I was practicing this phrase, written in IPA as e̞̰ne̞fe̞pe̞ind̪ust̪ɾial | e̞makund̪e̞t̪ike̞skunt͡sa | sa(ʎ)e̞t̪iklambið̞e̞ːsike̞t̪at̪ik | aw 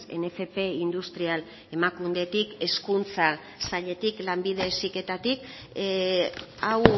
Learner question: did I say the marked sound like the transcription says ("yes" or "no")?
yes